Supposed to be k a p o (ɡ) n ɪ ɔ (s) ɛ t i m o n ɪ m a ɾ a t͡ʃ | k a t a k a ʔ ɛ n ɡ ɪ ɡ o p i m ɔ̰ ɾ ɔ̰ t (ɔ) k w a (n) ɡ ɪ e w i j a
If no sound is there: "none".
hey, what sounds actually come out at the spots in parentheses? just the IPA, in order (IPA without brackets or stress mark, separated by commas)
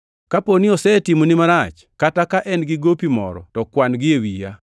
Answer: none, s, ɔ, n